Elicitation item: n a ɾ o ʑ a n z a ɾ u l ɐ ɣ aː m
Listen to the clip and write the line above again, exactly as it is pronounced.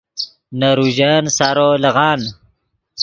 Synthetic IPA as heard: n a ɾ u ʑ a n s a ɾ o l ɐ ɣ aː n